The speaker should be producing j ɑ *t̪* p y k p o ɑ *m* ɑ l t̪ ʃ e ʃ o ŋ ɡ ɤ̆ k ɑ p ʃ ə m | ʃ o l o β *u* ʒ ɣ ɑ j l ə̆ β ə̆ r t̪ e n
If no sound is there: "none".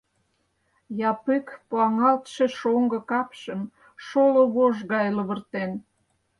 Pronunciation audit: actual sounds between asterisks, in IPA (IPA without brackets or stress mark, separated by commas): none, ŋ, o